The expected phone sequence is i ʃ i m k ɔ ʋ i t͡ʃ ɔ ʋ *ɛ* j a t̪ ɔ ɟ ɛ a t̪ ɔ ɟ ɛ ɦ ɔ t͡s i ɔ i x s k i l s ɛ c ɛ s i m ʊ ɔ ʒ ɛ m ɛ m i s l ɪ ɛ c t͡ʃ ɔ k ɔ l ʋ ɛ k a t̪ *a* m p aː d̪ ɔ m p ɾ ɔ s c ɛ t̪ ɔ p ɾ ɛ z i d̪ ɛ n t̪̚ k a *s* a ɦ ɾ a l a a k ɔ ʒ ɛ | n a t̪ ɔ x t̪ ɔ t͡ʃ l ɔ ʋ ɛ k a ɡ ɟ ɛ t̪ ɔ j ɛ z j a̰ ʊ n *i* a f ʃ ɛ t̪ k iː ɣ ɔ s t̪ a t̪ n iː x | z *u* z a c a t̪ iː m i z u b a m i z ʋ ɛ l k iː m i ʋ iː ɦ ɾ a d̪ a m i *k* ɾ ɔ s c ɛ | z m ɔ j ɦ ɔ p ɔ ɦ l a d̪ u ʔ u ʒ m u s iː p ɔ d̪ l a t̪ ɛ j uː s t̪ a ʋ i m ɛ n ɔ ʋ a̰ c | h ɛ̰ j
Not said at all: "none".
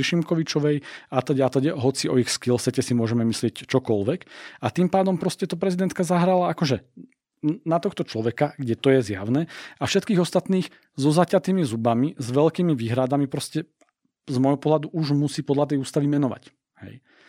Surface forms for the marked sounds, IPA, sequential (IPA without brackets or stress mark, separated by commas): ɛ, i, z, ɛ, ɔ, p